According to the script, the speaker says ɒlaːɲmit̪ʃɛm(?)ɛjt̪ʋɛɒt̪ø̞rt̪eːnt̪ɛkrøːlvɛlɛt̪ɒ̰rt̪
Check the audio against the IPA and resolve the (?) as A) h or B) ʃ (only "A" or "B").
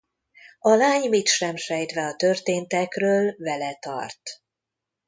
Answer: B